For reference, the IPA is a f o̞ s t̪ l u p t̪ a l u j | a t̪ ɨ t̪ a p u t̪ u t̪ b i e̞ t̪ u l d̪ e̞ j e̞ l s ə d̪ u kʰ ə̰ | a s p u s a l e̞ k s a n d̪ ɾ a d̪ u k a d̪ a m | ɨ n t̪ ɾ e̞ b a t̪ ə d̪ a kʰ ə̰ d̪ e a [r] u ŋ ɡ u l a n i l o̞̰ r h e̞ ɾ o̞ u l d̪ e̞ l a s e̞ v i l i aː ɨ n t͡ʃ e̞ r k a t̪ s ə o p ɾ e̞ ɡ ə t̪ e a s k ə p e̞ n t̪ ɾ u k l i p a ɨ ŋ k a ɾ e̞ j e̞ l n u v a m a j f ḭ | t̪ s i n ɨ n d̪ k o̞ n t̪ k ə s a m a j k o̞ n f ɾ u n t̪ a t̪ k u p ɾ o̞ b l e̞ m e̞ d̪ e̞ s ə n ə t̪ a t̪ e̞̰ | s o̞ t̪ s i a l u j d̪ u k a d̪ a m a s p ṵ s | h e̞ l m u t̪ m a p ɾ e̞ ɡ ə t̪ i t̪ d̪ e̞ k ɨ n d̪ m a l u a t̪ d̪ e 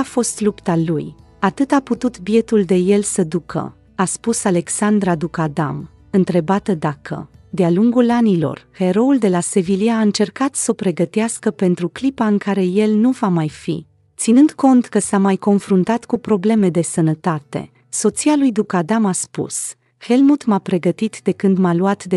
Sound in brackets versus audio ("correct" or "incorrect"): incorrect